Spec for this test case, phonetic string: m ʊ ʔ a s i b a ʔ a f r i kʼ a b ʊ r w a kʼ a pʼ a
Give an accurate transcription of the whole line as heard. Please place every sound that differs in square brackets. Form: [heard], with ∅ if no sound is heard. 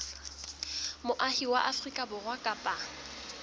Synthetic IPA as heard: m ʊ ʔ a [h] i [w] a ʔ a f r i kʼ a b ʊ r w a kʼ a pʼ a

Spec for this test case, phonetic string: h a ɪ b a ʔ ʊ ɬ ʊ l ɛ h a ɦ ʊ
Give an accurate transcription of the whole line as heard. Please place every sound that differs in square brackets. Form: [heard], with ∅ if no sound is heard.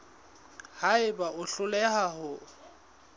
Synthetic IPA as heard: h a ɪ b a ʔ ʊ ɬ ʊ l ɛ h a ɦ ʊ

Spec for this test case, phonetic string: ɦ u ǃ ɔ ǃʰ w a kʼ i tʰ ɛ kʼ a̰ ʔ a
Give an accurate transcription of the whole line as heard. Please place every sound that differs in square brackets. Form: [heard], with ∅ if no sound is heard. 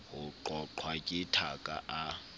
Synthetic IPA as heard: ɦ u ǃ ɔ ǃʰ w a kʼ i tʰ [a] kʼ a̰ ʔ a

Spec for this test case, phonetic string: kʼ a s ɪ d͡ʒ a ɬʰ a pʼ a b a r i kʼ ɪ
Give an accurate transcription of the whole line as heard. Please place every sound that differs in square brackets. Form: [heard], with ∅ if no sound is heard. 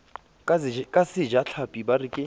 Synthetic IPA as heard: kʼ a s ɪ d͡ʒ a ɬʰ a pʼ [i] b a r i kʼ ɪ

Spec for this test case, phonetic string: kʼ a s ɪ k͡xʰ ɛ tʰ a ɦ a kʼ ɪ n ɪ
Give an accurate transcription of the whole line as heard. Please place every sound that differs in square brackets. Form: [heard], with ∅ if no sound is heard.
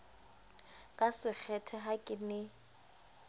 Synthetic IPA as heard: kʼ a s ɪ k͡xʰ ɛ tʰ [ɛ] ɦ a kʼ ɪ n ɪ

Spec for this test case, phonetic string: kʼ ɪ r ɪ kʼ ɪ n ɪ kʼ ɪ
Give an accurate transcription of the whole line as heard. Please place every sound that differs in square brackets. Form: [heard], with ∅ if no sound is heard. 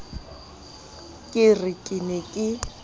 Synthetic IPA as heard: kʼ ɪ r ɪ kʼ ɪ n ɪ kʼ ɪ

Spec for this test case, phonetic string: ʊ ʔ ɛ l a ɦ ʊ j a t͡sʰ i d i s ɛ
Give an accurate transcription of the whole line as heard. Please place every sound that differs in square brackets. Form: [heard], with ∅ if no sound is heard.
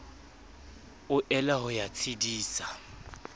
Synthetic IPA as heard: ʊ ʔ ɛ l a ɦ ʊ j a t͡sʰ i d [iː] s [a]

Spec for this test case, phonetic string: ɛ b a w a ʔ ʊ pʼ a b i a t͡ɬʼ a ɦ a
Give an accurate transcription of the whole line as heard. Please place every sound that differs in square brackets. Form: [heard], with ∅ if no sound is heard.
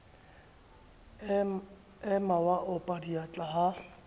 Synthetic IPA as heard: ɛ [m] a w a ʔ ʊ pʼ a [d] i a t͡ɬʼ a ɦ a

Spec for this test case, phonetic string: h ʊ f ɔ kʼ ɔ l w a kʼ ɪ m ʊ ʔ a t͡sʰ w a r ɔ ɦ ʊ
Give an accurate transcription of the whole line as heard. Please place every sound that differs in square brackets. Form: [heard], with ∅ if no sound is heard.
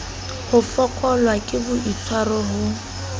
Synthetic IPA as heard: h ʊ f ɔ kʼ ɔ l w a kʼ ɪ [b] ʊ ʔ [i] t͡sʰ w a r ɔ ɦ ʊ

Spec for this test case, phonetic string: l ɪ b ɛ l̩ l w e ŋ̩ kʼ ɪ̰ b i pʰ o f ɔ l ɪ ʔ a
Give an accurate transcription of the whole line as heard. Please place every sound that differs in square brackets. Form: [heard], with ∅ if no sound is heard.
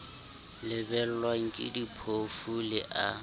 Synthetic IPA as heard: l ɪ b ɛ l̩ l w [a] ŋ̩ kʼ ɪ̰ [d] i pʰ o f [u] l ɪ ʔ a

